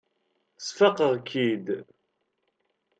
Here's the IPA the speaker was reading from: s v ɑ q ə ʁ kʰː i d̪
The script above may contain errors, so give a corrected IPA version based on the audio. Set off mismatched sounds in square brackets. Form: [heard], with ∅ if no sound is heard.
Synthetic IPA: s [f] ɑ q ə ʁ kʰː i d̪